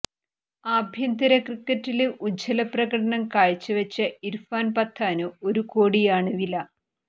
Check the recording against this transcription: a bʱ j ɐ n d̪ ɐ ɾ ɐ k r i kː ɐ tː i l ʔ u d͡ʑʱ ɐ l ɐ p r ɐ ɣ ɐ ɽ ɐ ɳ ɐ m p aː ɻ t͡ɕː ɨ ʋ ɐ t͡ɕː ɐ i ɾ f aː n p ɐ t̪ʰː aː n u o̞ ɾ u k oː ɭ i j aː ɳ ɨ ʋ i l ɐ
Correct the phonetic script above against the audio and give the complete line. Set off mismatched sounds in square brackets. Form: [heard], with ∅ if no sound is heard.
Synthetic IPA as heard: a bʱ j ɐ n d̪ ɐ ɾ ɐ k r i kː ɐ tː i l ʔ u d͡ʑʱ ɐ l ɐ p r ɐ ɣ ɐ ɽ ɐ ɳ ɐ m [k] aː ɻ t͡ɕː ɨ ʋ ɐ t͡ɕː ɐ i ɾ f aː n p ɐ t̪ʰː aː n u o̞ ɾ u k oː [ɽ] i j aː ɳ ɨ ʋ i l ɐ

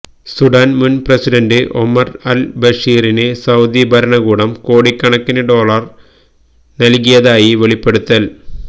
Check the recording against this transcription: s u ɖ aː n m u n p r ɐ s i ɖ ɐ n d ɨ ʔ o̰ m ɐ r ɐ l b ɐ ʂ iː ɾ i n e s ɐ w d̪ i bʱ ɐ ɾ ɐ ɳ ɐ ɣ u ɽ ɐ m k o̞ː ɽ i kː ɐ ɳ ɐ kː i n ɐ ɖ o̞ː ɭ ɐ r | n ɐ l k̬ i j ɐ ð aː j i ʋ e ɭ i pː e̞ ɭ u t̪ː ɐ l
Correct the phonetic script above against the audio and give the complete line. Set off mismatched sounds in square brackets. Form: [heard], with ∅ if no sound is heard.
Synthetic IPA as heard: s u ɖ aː n m u n p r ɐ s i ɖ ɐ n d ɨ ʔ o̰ m ɐ r ɐ l b ɐ ʂ iː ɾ i n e s ɐ w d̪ i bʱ ɐ ɾ ɐ ɳ ɐ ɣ [uː] ɽ ɐ m k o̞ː ɽ i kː ɐ ɳ ɐ kː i n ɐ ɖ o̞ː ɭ ɐ r | n ɐ l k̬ i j ɐ ð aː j i ʋ e ɭ i pː e̞ [ɽ] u t̪ː ɐ l

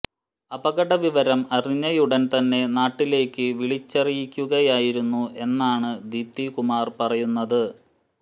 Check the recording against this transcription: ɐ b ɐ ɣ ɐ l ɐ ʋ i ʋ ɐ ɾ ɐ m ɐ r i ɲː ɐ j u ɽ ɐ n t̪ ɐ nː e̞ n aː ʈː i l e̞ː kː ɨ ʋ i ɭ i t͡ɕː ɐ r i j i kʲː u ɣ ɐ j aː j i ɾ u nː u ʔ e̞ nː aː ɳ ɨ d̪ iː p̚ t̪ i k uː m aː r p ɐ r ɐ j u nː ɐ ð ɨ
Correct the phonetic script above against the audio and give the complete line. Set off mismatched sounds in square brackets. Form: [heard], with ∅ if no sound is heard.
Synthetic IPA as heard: ɐ b ɐ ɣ ɐ [ɽ] ɐ ʋ i ʋ ɐ ɾ ɐ m ɐ r i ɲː ɐ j u ɽ ɐ n t̪ ɐ nː e̞ n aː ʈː i l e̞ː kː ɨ ʋ i ɭ i t͡ɕː ɐ r i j i kʲː u ɣ ɐ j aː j i ɾ u nː u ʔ e̞ nː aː ɳ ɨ d̪ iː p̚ t̪ i k [u] m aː r p ɐ r ɐ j u nː ɐ ð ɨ

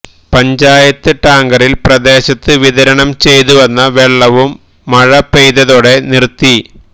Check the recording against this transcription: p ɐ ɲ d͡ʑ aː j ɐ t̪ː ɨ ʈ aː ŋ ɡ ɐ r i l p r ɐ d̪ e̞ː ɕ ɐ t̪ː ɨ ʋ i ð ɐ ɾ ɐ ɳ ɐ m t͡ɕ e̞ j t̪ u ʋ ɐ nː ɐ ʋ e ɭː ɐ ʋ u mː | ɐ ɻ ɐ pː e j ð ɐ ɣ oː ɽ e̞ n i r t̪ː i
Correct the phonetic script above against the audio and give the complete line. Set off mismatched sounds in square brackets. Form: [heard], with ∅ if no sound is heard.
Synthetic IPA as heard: p ɐ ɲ d͡ʑ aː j ɐ t̪ː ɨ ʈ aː ŋ ɡ ɐ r i l p r ɐ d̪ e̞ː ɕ ɐ t̪ː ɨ ʋ i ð ɐ ɾ ɐ ɳ ɐ m t͡ɕ e̞ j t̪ u ʋ ɐ nː ɐ ʋ e ɭː ɐ ʋ u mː | ɐ ɻ ɐ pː e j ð ɐ [ð] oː ɽ e̞ n i r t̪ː i

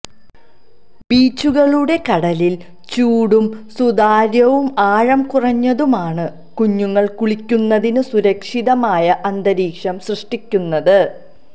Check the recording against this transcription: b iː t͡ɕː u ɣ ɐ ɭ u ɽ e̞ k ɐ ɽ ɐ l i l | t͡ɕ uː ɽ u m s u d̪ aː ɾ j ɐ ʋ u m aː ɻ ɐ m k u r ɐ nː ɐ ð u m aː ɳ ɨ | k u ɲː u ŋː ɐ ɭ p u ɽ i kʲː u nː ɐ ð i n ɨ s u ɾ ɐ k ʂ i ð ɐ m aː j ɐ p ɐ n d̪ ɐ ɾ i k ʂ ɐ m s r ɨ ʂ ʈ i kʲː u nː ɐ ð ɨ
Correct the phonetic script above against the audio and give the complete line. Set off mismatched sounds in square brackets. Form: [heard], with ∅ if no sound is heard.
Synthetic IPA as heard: b iː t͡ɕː u ɣ ɐ ɭ u ɽ e̞ k ɐ ɽ ɐ l i l | t͡ɕ uː ɽ u m s u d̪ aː ɾ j ɐ ʋ u m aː ɻ ɐ m k u r ɐ [ɲː] ɐ ð u m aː ɳ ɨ | k u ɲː u ŋː ɐ ɭ [k] u [ɭ] i kʲː u nː ɐ ð i n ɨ s u ɾ ɐ k ʂ i ð ɐ m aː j ɐ [ʔ] ɐ n d̪ ɐ ɾ [iː] k ʂ ɐ m s r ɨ ʂ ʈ i kʲː u nː ɐ ð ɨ

